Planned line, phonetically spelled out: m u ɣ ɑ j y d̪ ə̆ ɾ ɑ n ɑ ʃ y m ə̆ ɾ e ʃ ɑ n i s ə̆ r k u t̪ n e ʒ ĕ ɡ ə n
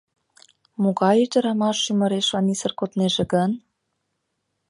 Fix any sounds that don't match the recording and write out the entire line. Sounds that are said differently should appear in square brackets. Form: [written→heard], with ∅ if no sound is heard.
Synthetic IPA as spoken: m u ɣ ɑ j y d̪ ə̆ ɾ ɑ [n→m] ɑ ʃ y m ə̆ ɾ e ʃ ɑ n i s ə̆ r k [u→o] t̪ n e ʒ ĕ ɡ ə n